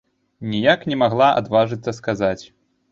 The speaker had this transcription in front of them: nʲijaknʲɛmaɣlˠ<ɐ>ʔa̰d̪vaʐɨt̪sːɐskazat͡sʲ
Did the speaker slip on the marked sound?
yes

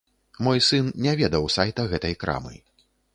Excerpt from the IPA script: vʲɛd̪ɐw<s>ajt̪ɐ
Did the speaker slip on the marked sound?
no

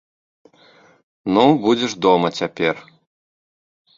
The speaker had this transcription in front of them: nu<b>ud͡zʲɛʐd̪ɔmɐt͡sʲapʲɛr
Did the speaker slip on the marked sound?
no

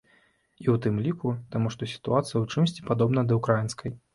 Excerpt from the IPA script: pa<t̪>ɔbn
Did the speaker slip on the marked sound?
yes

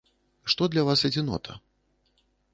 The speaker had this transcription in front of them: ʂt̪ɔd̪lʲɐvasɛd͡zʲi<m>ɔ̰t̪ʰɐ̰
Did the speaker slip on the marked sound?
yes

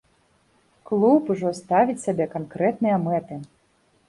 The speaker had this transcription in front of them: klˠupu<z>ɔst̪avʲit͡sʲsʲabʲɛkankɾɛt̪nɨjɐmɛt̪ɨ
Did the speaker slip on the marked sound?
yes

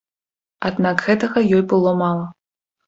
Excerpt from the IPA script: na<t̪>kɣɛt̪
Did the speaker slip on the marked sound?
yes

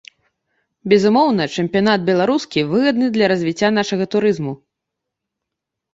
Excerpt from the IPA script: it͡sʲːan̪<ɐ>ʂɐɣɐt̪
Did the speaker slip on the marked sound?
yes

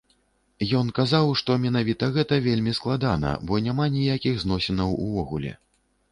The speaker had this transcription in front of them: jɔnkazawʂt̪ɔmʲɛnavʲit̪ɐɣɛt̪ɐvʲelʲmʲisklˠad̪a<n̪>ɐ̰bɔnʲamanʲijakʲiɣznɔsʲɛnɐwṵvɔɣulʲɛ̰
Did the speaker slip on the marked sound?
no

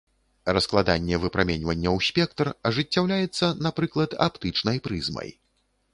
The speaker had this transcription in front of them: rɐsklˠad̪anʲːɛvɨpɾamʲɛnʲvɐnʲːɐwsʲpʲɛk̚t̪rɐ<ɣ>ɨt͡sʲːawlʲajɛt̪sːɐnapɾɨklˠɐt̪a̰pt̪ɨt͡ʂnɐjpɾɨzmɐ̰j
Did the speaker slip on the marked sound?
yes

